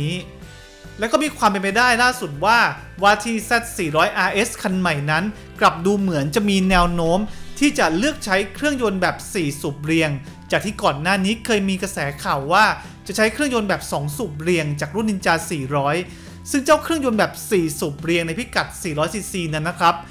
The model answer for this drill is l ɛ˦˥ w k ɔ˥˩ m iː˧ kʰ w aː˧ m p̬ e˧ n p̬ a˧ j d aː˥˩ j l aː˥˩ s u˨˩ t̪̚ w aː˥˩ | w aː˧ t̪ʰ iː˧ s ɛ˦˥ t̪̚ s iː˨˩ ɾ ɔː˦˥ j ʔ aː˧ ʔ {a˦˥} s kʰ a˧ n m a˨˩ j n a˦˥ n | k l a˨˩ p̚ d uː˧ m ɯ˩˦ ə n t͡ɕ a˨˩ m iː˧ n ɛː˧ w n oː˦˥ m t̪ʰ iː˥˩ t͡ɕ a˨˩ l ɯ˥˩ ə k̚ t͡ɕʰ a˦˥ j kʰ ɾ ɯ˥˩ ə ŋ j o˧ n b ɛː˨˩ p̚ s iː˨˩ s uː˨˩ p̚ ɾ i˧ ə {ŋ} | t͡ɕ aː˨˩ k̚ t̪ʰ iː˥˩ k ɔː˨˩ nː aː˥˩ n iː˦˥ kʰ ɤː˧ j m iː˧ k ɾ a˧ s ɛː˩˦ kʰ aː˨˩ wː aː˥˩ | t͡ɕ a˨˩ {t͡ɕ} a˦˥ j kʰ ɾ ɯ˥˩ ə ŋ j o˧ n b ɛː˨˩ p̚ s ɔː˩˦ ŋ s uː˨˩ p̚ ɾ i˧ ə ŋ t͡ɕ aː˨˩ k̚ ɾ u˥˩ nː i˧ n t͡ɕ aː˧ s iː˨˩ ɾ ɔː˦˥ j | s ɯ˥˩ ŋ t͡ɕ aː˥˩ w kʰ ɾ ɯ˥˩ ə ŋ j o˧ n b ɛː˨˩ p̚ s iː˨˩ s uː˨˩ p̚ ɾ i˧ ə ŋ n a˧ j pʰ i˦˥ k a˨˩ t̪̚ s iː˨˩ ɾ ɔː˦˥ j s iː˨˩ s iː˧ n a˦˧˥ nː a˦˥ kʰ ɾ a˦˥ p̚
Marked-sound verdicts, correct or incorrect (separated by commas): incorrect, correct, incorrect